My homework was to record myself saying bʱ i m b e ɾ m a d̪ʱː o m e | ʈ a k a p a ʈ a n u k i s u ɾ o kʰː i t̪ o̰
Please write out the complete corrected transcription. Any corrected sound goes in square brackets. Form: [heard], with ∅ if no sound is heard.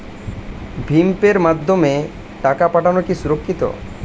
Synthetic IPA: bʱ i m [p] e ɾ m a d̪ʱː o m e | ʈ a k a p a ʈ a n [o] k i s u ɾ o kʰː i t̪ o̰